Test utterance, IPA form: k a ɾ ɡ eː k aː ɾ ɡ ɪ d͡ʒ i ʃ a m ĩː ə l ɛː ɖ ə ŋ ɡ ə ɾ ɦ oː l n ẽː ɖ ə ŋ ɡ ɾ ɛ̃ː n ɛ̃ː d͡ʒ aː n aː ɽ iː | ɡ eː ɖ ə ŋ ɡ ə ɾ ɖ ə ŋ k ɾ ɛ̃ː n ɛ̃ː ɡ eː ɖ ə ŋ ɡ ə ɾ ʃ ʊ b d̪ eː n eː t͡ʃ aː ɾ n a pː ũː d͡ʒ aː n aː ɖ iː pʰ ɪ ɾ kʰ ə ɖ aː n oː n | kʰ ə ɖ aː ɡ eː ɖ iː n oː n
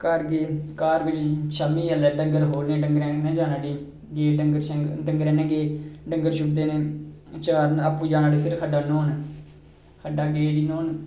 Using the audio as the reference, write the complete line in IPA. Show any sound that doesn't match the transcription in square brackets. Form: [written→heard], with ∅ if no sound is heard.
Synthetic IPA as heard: k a ɾ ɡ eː k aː ɾ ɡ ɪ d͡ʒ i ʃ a m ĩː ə l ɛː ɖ ə ŋ ɡ ə ɾ ɦ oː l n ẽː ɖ ə ŋ ɡ ɾ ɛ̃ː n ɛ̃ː d͡ʒ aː n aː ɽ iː | ɡ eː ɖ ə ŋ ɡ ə ɾ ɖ ə ŋ [k→ɡ] ɾ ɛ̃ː n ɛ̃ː ɡ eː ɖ ə ŋ ɡ ə ɾ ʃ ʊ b d̪ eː n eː t͡ʃ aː ɾ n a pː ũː d͡ʒ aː n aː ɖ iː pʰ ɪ ɾ kʰ ə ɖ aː n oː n | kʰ ə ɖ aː ɡ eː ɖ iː n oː n